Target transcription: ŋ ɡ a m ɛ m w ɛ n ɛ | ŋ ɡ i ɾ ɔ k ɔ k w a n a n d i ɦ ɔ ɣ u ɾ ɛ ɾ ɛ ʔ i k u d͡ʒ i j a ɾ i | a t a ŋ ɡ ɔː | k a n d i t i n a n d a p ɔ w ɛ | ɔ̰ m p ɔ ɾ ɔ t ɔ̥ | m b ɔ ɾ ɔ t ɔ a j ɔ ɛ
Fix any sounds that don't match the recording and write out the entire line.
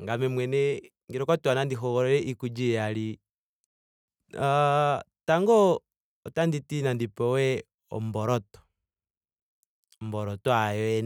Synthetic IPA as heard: ŋ ɡ a m ɛ m w ɛ n ɛ | ŋ ɡ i ɾ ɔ k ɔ t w a n a n d i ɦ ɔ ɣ ɔ ɾ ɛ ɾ ɛ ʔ i k u d͡ʒ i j a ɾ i | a t a ŋ ɡ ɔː | t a n d i t i n a n d i p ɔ w ɛ | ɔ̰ m b ɔ ɾ ɔ t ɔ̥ | m b ɔ ɾ ɔ t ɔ a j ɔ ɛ